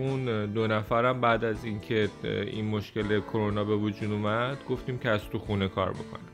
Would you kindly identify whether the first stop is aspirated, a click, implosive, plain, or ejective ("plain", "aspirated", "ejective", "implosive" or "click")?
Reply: plain